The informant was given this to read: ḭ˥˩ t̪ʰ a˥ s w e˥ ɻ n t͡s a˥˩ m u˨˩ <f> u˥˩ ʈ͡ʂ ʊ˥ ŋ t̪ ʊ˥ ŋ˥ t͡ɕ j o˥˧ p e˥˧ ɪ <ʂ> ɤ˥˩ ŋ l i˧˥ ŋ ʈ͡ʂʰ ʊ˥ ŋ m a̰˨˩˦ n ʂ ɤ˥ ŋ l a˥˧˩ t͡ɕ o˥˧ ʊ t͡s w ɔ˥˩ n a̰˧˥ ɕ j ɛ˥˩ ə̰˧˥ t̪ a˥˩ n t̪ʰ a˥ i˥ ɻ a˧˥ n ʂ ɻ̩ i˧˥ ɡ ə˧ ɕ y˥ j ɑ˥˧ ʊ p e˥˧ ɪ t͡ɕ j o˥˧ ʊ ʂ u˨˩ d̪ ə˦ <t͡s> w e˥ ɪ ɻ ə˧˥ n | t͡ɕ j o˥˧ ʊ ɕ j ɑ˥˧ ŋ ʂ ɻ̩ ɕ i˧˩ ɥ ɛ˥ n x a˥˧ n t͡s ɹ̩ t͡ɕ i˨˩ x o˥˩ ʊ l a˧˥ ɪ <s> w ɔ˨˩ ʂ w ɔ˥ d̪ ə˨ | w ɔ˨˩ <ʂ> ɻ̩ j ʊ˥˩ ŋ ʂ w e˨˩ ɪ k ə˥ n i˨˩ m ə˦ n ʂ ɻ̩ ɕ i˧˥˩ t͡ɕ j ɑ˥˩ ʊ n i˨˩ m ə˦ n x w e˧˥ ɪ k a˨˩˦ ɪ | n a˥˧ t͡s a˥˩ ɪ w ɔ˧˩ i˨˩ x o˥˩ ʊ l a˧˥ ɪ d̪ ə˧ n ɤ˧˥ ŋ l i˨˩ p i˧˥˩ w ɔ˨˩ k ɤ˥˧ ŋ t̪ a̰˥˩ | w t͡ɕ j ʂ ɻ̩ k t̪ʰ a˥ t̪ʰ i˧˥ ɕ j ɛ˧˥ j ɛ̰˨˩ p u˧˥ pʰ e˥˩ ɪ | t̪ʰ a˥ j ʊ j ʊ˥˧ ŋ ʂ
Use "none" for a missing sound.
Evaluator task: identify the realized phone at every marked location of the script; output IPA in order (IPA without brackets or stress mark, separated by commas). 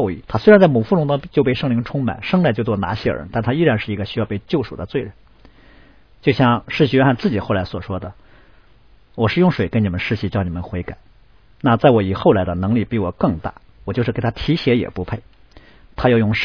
f, ʂ, t͡s, s, ʂ